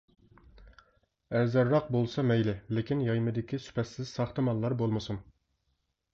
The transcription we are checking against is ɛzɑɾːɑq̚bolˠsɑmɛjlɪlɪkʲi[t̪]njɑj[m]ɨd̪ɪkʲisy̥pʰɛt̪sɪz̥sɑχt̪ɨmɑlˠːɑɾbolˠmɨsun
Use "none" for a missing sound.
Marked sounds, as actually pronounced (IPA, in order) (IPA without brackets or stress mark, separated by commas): none, m